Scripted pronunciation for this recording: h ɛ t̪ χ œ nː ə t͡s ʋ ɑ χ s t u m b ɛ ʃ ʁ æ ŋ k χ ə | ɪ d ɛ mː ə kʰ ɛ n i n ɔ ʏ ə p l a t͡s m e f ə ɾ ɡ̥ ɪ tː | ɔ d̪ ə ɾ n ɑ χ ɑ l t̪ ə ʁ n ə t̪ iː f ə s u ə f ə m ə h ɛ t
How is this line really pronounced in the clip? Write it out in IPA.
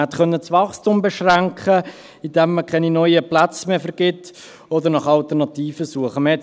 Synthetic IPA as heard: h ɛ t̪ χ œ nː ə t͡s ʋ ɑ χ s t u m b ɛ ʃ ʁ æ ŋ k χ ə | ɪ d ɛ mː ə kʰ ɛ n i n ɔ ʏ ə p l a t͡s m e f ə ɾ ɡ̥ ɪ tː | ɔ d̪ ə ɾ n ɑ χ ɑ l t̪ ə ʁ n ɑ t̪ iː f ə s u ə χ ə m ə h ɛ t